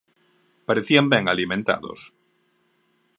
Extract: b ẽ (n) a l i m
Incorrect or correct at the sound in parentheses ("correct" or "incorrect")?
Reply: incorrect